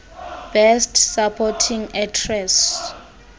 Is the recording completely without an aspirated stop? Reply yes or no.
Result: no